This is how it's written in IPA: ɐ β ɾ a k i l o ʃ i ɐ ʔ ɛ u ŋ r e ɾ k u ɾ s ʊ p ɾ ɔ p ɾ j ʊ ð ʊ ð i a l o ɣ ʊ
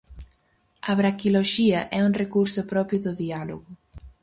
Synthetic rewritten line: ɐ β ɾ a k i l o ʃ i ɐ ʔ ɛ u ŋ r e k u ɾ s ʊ p ɾ ɔ p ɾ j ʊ ð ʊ ð i a l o ɣ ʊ